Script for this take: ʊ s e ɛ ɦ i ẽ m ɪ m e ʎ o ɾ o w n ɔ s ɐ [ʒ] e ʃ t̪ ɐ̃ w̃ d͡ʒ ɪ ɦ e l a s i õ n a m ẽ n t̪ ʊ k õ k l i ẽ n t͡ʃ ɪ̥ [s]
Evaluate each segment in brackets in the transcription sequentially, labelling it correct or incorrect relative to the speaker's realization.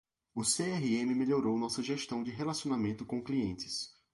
correct, correct

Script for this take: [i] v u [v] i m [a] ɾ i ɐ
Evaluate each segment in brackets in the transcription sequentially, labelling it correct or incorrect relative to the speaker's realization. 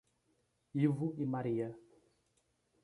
correct, incorrect, correct

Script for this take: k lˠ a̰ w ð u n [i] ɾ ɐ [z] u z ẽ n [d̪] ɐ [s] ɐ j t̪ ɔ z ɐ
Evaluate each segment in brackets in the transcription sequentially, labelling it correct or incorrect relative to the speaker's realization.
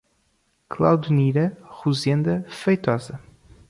correct, incorrect, correct, incorrect

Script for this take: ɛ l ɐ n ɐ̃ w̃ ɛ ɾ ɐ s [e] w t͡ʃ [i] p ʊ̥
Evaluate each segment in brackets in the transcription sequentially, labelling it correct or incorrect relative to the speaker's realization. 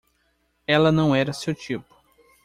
correct, correct

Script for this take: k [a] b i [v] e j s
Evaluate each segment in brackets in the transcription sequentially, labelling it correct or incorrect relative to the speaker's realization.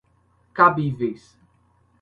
correct, correct

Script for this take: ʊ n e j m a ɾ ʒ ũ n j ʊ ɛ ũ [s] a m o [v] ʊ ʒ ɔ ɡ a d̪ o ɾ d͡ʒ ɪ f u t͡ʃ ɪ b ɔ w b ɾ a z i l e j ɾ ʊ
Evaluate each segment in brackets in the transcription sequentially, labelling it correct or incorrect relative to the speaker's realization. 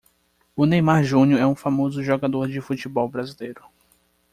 incorrect, incorrect

